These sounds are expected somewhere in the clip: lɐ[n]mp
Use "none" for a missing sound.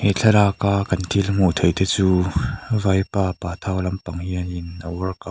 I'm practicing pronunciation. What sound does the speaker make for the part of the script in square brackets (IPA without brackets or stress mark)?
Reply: none